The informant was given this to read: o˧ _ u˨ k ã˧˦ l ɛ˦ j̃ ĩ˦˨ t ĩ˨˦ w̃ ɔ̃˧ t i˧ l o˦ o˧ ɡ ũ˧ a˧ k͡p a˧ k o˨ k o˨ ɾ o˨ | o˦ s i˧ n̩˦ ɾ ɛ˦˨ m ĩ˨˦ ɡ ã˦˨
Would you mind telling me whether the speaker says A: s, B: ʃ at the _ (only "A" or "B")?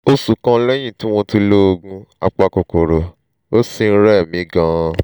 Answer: A